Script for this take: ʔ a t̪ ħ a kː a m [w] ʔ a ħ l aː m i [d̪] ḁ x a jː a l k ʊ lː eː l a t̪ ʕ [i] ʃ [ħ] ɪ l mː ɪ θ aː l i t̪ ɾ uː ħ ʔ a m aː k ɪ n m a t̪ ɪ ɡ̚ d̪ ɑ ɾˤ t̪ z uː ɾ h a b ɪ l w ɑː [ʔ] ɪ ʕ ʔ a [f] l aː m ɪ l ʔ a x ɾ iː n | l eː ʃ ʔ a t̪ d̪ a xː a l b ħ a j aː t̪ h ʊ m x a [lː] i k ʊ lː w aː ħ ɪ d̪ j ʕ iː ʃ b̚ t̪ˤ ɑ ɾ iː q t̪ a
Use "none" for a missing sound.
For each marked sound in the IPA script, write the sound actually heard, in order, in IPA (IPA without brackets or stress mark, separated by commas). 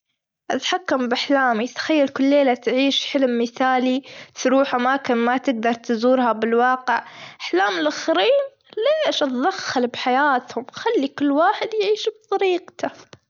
b, t̪, iː, ħ, q, ħ, lː